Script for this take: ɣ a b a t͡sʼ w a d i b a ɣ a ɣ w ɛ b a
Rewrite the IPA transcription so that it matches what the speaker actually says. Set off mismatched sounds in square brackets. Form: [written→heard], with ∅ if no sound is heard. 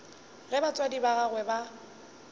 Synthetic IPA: ɣ [a→ɛ] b a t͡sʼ w a d i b a ɣ a ɣ w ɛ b a